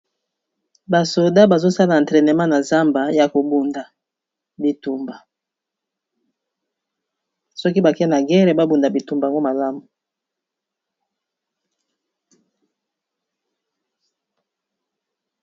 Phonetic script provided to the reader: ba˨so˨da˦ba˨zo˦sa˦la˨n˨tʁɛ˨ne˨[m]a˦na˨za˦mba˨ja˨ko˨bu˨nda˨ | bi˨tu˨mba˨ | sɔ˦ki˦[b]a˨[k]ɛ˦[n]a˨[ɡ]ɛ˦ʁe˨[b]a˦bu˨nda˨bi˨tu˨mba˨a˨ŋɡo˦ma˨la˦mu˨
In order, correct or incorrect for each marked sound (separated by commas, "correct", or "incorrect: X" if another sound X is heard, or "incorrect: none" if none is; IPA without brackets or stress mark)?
correct, correct, correct, correct, correct, correct